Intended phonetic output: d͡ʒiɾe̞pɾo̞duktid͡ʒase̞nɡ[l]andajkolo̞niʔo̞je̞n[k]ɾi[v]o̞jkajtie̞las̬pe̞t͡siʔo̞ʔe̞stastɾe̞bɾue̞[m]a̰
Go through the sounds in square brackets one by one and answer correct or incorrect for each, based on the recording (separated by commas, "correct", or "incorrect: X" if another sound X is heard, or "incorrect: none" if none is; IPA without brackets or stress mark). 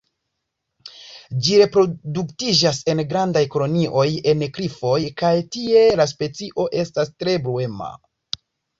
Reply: incorrect: ɾ, correct, incorrect: f, correct